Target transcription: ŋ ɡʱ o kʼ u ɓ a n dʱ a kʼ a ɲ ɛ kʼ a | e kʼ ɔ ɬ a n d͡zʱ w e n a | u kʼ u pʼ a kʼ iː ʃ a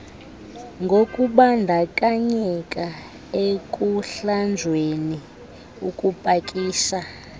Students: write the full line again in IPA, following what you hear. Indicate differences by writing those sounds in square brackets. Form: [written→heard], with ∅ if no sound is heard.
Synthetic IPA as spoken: ŋ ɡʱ o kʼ u ɓ a n dʱ a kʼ a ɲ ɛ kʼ a | e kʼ [ɔ→u] ɬ a n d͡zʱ w e n [a→i] | u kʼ u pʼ a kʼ iː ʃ a